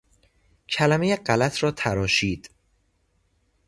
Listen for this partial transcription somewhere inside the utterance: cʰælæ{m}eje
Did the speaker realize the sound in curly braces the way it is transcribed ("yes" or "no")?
yes